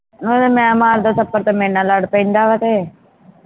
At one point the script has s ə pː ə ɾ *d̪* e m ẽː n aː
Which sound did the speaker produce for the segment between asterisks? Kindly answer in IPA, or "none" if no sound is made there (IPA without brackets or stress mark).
t̪